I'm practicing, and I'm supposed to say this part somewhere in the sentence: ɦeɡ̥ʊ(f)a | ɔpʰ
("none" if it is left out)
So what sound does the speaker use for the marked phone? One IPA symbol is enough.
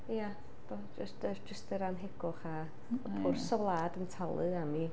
χ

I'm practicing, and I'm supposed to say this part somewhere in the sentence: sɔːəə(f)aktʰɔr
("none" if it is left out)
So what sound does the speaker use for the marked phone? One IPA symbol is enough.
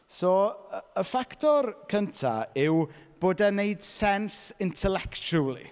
f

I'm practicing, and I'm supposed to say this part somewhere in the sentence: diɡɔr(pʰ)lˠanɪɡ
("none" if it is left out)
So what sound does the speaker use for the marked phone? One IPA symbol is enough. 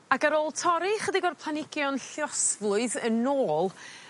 pʰ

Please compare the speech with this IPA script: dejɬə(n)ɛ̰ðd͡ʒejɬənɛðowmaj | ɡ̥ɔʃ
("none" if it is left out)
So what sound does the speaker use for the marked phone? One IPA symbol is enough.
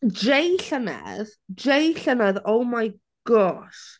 n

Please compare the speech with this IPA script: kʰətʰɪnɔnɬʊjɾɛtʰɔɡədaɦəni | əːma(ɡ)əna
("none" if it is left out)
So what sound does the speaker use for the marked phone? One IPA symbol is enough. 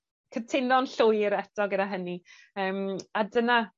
d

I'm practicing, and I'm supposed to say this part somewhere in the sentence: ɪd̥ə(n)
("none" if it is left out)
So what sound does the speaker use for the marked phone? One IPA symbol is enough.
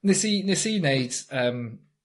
m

